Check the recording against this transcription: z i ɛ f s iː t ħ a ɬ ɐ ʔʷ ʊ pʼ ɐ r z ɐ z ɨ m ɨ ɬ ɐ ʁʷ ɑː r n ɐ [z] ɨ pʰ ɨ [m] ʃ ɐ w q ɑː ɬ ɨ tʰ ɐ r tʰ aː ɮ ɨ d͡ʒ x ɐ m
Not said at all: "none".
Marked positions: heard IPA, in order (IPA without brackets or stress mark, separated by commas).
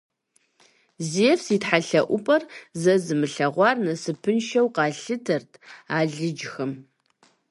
s, n